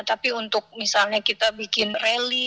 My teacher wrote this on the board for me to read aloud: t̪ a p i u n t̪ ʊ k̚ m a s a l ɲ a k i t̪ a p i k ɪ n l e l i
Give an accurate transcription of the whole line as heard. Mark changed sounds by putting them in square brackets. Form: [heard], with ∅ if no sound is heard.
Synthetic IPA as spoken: t̪ a p i u n t̪ ʊ k̚ m [i] s a l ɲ a k i t̪ a [b] i k ɪ n [r] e l i